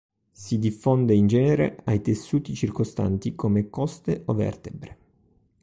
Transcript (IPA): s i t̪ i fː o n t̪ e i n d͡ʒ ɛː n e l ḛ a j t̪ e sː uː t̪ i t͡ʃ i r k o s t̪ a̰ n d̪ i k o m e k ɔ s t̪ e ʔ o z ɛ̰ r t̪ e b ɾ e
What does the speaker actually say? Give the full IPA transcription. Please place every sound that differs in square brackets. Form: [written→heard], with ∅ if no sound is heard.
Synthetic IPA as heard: s i [t̪→d̪] i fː o n [t̪→d̪] e i n d͡ʒ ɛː n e [l→ɾ] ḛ a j t̪ e sː uː t̪ i t͡ʃ i r k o s t̪ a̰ n [d̪→t̪] i k o m e k ɔ s t̪ e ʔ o [z→v] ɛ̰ r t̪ e b ɾ e